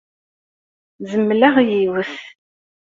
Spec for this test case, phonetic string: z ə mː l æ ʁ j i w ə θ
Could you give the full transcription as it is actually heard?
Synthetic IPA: z ə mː l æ ʁ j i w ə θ